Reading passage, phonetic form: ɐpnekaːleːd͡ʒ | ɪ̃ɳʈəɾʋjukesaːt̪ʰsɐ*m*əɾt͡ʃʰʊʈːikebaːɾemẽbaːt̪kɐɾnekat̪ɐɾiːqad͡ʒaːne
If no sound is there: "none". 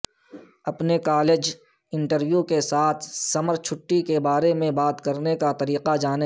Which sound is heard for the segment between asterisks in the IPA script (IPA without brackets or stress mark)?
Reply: m